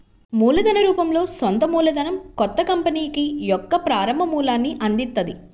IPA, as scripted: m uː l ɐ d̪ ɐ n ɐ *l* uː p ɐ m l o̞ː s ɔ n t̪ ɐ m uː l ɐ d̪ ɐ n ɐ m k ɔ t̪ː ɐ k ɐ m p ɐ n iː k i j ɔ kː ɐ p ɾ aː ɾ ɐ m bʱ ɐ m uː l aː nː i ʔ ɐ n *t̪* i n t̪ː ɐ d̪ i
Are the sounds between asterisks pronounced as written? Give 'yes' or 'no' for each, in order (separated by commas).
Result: no, no